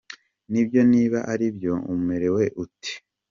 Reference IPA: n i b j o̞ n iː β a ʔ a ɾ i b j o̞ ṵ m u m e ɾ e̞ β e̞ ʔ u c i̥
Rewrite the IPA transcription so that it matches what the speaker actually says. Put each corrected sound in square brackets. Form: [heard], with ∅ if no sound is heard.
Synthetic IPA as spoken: n i b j o̞ n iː β a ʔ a ɾ i b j o̞ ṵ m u m e ɾ e̞ [w] e̞ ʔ u [t] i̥